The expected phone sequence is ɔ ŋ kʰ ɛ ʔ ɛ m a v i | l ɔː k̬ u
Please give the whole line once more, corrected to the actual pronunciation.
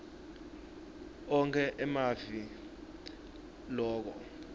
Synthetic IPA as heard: ɔ ŋ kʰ ɛ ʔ ɛ m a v i | l ɔː k̬ ɔ